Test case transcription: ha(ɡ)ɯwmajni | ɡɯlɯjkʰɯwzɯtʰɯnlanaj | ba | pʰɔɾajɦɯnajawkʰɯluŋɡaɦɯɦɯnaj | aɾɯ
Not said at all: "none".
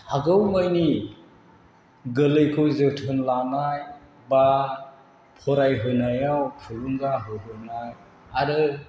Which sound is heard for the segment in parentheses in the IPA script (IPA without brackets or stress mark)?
ɡ